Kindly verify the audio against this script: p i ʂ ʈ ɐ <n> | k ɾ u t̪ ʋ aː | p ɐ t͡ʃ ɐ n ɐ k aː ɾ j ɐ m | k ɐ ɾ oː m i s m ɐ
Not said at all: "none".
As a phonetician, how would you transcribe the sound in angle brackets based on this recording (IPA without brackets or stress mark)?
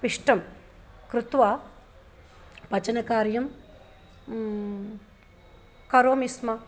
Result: m